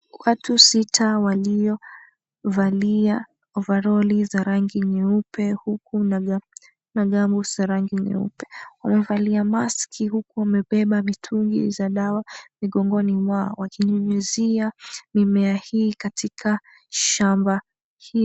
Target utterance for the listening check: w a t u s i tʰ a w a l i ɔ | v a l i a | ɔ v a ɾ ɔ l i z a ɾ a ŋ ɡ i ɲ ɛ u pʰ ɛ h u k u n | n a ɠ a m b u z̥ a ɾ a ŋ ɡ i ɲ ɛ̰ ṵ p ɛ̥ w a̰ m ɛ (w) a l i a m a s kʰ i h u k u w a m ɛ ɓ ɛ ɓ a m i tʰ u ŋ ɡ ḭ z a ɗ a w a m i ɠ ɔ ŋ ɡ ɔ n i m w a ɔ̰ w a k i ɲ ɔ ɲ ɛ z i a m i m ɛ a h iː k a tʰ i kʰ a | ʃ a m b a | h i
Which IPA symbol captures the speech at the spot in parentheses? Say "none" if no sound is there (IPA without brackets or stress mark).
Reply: v